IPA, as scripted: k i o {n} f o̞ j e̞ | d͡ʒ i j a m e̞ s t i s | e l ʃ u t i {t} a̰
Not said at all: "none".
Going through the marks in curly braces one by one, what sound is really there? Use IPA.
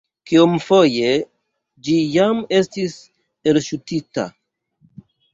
m, t

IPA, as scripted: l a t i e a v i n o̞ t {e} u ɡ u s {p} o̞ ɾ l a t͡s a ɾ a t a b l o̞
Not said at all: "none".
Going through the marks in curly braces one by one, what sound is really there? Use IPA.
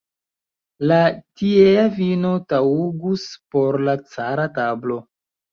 a, p

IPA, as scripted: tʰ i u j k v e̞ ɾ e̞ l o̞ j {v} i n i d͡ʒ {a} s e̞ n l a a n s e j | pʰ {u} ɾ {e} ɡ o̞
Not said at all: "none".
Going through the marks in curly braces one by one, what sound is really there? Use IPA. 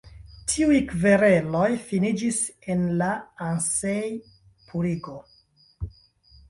f, i, u, i

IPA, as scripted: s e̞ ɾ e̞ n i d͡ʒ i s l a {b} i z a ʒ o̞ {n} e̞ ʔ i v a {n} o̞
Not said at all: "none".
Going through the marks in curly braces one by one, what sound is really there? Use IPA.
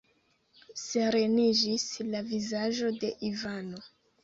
v, d, n

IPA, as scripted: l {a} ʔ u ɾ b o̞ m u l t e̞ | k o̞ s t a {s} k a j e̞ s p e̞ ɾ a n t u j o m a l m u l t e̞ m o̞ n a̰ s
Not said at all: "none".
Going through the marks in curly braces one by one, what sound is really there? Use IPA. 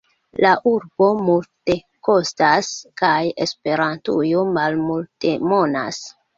a, s

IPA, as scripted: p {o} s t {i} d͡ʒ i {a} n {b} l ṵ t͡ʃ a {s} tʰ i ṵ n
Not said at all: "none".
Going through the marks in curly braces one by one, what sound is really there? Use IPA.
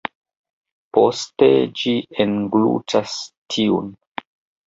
o, e, e, ɡ, s

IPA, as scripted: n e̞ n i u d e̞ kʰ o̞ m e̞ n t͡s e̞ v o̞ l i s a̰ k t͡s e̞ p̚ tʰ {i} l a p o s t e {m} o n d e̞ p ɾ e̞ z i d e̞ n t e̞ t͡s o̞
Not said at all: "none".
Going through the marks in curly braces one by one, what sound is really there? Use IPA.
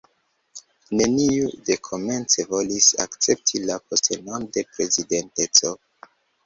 i, n

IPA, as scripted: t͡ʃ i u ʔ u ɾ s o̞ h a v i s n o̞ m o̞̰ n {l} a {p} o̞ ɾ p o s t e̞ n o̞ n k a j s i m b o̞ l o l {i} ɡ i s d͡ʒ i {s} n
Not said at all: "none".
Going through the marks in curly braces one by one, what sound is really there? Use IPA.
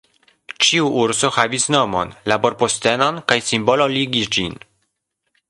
l, b, i, none

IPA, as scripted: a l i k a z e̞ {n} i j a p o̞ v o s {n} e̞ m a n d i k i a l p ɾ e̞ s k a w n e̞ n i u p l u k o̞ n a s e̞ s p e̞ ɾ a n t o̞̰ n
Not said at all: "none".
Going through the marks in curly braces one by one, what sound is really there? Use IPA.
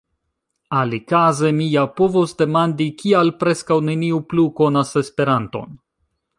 m, d

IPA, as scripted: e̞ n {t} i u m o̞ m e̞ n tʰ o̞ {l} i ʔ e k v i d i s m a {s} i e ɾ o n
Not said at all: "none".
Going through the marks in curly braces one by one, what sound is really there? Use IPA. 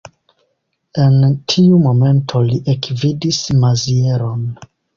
tʰ, l, z

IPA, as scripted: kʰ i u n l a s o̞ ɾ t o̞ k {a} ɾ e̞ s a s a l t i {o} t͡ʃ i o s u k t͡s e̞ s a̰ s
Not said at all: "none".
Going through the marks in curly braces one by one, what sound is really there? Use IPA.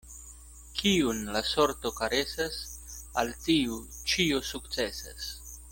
a, u

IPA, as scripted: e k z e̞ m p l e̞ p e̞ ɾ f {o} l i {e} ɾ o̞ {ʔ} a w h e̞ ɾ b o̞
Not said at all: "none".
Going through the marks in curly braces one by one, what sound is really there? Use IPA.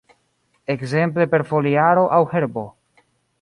o, a, ʔ

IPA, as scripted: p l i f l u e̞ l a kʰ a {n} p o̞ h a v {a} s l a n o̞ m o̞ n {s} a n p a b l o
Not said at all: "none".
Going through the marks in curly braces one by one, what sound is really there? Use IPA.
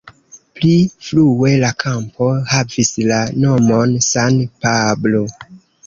m, i, s

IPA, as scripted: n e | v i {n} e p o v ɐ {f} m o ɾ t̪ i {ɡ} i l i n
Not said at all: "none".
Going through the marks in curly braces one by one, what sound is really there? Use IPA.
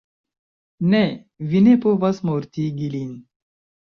n, s, ɡ

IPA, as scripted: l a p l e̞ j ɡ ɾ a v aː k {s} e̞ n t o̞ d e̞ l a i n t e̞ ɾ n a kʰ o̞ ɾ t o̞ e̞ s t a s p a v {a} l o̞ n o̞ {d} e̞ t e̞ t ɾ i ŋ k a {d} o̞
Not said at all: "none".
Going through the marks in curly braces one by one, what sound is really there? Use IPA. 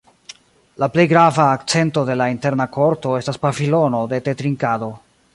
t͡s, i, d, d

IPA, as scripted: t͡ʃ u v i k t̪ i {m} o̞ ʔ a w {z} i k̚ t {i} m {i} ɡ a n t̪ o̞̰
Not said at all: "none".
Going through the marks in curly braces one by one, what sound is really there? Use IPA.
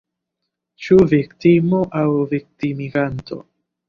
m, v, i, i

